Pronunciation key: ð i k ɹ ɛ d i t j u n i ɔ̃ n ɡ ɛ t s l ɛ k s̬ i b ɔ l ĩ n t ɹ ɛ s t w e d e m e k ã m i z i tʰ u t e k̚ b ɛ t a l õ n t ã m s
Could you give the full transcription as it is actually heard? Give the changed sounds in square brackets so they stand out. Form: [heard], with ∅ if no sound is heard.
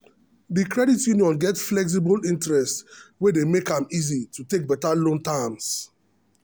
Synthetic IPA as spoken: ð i k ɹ ɛ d i t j u n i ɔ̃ n ɡ ɛ t [f] l ɛ k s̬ i b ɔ l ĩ n t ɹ ɛ s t w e d e m e k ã m i z i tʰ u t e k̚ b ɛ t a l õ n t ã m s